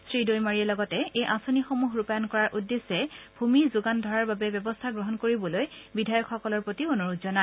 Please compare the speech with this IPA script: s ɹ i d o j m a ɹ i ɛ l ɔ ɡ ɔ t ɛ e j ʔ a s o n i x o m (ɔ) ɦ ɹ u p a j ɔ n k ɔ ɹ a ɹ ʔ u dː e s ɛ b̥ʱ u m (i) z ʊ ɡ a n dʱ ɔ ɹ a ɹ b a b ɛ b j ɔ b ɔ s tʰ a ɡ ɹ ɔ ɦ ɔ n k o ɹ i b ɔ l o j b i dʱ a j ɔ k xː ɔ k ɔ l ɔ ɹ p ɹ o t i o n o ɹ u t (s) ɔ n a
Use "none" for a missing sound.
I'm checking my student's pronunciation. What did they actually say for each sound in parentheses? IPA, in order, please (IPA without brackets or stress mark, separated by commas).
u, i, z